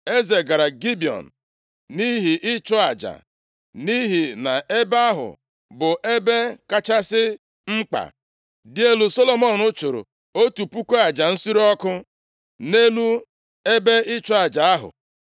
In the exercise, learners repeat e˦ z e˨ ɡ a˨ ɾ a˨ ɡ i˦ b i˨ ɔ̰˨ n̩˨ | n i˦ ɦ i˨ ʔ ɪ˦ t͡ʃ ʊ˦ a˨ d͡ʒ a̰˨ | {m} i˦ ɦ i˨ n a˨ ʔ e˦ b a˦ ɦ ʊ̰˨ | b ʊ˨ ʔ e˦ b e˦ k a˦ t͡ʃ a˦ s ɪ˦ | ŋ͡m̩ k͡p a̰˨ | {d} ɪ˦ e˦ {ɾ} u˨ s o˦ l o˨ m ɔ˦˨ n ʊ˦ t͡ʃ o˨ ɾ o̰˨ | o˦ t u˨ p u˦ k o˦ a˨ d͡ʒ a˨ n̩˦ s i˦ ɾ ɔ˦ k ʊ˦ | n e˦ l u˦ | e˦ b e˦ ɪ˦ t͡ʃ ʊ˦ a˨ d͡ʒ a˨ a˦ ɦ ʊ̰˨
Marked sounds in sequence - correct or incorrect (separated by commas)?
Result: incorrect, correct, incorrect